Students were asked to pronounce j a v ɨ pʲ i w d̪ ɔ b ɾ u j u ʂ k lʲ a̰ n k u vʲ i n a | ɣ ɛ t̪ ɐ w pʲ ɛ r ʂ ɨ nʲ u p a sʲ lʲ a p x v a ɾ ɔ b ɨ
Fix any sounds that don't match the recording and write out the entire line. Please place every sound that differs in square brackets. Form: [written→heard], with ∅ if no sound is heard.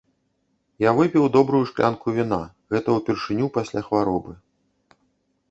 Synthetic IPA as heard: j a v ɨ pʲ i w d̪ ɔ b ɾ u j u ʂ k lʲ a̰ n k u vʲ i n a | ɣ ɛ t̪ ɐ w pʲ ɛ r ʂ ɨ nʲ u p a sʲ lʲ a [p→∅] x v a ɾ ɔ b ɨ